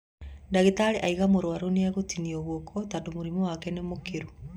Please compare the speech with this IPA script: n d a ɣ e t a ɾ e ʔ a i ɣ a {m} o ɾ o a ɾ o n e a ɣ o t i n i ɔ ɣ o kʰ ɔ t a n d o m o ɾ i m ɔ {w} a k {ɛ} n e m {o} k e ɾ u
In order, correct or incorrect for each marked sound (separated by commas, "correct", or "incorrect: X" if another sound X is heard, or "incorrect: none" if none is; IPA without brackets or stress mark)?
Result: correct, correct, correct, correct